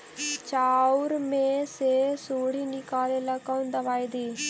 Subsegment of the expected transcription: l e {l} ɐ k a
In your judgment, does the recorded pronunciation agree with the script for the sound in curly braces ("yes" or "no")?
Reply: yes